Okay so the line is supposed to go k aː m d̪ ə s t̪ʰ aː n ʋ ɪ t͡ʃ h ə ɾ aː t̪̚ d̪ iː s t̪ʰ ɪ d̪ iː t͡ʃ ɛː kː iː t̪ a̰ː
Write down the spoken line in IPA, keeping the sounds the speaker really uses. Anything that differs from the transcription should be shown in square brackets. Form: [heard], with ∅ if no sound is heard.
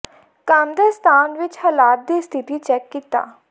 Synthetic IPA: k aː m d̪ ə s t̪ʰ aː n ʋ ɪ t͡ʃ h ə [l] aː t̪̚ d̪ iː s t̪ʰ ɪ [t̪] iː t͡ʃ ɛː kː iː t̪ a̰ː